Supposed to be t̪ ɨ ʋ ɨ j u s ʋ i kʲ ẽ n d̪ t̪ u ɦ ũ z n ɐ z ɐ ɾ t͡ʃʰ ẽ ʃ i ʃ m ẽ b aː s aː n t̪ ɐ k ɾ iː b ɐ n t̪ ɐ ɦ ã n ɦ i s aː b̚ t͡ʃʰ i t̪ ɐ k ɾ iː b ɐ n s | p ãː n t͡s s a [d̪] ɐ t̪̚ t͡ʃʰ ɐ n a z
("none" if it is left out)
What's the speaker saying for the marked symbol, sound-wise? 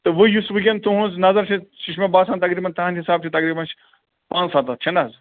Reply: t̪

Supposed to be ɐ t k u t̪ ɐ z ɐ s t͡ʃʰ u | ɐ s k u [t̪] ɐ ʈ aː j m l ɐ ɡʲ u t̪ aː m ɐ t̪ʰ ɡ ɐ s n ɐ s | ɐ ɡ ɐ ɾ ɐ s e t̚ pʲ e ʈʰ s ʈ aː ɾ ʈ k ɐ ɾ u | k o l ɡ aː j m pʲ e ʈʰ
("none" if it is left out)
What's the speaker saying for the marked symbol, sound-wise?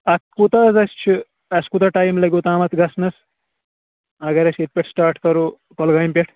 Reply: t̪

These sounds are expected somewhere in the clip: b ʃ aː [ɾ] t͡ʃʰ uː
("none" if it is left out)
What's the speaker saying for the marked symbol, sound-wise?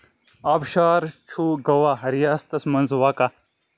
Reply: ɾ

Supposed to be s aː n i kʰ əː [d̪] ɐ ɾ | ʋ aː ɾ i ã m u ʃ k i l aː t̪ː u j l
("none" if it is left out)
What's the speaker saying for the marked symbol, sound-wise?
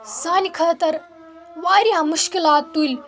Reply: t̪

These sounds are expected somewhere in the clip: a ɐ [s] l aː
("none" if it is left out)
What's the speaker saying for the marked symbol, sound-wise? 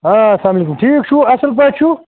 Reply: s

